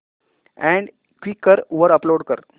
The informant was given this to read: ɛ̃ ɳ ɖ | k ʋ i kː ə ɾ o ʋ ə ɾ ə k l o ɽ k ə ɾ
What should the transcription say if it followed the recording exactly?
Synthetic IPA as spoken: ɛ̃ ɳ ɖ | k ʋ i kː ə ɾ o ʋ ə ɾ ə p l o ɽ k ə ɾ